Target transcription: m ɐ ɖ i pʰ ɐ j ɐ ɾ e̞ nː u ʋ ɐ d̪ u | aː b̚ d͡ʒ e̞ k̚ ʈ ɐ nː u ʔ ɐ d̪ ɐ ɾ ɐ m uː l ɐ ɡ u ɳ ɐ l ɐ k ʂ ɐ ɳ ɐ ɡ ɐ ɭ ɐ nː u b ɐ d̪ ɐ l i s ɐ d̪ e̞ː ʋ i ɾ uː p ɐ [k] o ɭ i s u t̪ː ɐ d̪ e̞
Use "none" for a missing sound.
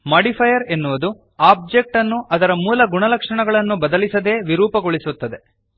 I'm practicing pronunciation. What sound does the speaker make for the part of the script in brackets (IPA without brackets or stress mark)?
ɡ